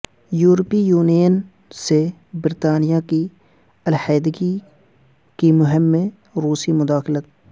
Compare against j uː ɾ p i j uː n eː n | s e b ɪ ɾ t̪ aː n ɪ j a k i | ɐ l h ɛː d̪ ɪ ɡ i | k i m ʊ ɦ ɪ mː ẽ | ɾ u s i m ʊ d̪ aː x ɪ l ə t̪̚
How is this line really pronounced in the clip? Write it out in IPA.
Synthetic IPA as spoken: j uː ɾ p i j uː n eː n | s e b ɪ ɾ t̪ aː n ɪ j a k i | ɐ l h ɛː d̪ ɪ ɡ i | k i m ʊ ɦ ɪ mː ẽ | ɾ uː s i m ʊ d̪ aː x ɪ l ə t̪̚